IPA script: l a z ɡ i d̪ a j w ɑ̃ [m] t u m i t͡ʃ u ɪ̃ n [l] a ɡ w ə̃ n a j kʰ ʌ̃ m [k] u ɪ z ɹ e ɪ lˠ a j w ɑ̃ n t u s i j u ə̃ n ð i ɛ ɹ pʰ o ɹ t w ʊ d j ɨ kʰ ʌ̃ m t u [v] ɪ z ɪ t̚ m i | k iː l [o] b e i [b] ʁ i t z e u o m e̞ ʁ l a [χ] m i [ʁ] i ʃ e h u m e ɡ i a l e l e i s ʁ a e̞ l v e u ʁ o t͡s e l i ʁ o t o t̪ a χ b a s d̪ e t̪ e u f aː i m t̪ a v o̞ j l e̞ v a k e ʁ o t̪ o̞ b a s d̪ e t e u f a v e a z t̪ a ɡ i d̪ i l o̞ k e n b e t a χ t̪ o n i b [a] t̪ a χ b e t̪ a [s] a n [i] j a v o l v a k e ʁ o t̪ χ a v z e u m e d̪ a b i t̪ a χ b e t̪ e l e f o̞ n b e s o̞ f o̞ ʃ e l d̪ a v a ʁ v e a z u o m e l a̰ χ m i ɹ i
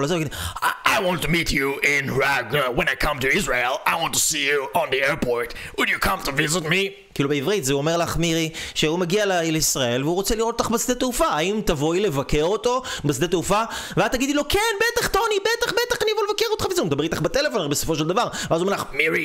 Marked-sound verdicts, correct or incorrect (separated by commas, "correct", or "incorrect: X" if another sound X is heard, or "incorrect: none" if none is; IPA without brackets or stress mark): incorrect: n, incorrect: ɹ, incorrect: t, correct, incorrect: u, incorrect: v, correct, correct, incorrect: e, incorrect: χ, correct